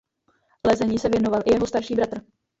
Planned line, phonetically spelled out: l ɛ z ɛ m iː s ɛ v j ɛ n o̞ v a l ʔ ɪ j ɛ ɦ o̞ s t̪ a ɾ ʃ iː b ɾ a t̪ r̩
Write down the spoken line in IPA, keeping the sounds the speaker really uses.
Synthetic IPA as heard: l ɛ z ɛ ɲ iː s ɛ v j ɛ n o̞ v a l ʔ ɪ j ɛ ɦ o̞ s t̪ a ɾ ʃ iː b ɾ a t̪ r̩